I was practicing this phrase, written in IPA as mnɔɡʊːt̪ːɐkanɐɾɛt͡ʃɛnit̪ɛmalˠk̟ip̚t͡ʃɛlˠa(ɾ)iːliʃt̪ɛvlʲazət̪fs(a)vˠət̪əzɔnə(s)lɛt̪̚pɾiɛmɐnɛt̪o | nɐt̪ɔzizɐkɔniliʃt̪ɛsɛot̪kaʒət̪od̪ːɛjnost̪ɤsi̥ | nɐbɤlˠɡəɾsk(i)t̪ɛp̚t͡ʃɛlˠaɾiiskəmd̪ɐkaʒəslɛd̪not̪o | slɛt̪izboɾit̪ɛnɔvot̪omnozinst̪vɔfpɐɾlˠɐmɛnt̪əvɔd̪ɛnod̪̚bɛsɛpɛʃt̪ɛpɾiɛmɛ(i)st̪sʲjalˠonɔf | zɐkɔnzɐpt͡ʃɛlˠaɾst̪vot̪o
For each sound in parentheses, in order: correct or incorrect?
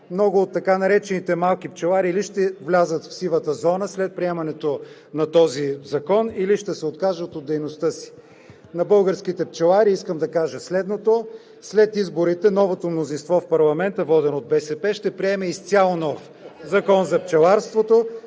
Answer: correct, incorrect, correct, correct, correct

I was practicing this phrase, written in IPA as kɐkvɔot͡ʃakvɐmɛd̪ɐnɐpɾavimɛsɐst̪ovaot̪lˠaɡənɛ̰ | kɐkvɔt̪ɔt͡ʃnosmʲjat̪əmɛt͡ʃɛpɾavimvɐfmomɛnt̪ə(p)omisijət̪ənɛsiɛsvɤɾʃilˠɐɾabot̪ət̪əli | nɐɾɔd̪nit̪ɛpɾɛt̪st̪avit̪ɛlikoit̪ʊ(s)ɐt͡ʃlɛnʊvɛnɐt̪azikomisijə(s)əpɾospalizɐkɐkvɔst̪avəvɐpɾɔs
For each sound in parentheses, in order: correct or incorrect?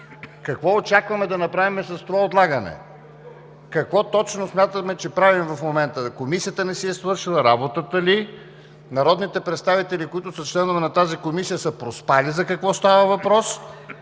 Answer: incorrect, correct, correct

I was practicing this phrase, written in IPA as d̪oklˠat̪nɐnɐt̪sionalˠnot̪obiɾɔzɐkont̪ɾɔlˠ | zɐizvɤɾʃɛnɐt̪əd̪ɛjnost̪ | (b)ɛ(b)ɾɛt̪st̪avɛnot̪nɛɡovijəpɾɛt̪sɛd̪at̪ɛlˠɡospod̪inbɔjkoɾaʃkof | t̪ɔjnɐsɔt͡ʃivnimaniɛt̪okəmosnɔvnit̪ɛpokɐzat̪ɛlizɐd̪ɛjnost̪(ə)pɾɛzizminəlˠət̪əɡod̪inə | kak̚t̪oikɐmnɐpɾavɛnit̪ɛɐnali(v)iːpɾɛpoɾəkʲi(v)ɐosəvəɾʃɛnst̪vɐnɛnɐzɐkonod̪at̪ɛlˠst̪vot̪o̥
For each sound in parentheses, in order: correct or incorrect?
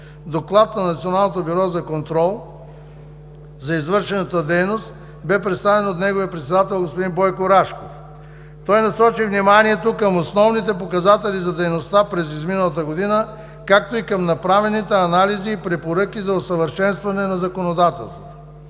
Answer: correct, incorrect, incorrect, incorrect, incorrect

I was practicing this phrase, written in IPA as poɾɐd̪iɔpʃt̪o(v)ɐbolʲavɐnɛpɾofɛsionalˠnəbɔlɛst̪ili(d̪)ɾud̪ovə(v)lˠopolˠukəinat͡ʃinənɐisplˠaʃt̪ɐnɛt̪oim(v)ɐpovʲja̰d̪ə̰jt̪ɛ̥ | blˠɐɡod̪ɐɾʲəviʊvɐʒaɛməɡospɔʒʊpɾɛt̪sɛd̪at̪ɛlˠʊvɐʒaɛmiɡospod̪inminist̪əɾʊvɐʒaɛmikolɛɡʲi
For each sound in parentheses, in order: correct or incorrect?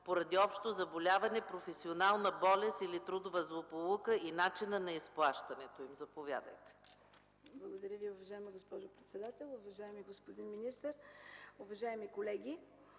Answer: incorrect, incorrect, incorrect, incorrect

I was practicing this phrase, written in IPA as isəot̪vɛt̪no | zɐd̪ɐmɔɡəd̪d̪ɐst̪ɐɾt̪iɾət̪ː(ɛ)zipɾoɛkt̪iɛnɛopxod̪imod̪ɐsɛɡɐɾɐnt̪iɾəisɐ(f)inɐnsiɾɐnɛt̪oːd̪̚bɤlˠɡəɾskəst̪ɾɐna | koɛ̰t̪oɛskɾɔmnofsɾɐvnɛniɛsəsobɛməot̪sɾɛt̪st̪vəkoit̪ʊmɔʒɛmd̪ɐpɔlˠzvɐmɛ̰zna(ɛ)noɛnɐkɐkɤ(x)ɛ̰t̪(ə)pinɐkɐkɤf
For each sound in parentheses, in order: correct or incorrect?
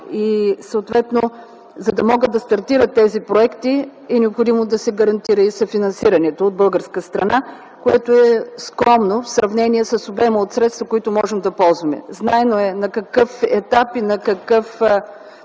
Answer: correct, correct, correct, incorrect, incorrect

